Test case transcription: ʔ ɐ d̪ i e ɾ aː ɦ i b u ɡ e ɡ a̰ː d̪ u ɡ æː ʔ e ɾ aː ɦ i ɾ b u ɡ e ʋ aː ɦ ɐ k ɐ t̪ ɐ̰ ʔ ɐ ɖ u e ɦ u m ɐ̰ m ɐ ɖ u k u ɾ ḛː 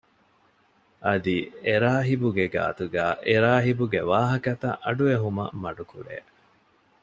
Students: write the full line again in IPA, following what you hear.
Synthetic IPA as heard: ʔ ɐ d̪ i e ɾ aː ɦ i b u ɡ e ɡ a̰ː t̪ u ɡ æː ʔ e ɾ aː ɦ i b u ɡ e ʋ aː ɦ ɐ k ɐ t̪ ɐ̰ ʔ ɐ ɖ u e ɦ u m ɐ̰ m ɐ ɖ u k u ɾ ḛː